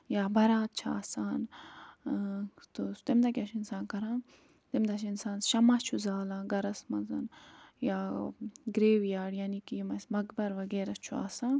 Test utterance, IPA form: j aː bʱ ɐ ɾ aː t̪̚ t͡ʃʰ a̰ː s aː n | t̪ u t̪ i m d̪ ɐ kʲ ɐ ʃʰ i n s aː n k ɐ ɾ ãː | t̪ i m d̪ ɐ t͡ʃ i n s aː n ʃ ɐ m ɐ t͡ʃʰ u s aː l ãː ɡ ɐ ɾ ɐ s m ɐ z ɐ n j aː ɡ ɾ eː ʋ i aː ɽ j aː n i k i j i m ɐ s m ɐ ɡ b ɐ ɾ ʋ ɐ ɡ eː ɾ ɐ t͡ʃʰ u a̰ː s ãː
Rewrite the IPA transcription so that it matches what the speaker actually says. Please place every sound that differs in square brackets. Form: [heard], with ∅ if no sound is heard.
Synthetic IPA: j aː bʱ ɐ ɾ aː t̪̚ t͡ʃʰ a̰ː s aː n | t̪ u t̪ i m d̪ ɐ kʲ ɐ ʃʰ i n s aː n k ɐ ɾ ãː | t̪ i m d̪ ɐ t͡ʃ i n s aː n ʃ ɐ m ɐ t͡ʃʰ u [z] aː l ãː ɡ ɐ ɾ ɐ s m ɐ z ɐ n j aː ɡ ɾ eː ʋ [j] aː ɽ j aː n i k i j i m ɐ s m ɐ ɡ b ɐ ɾ ʋ ɐ ɡ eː ɾ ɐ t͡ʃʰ u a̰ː s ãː